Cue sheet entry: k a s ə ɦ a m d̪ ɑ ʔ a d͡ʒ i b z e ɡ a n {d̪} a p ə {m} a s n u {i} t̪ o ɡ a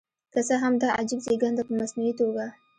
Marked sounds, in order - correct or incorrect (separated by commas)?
correct, correct, correct